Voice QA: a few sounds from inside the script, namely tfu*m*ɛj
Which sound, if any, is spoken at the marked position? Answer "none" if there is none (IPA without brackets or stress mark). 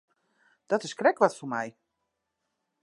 m